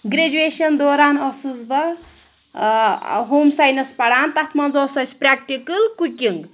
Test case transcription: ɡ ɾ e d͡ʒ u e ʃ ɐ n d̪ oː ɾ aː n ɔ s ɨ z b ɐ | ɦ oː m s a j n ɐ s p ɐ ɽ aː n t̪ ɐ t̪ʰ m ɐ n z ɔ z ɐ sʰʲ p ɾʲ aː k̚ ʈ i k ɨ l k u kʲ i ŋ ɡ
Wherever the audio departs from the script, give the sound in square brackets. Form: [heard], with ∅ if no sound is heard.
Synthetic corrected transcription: ɡ ɾ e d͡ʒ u e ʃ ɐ n d̪ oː ɾ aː n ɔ s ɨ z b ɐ | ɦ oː m s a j n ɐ s p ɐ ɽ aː n t̪ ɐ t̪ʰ m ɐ n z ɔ [s] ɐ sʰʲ p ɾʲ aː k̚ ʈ i k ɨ l k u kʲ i ŋ ɡ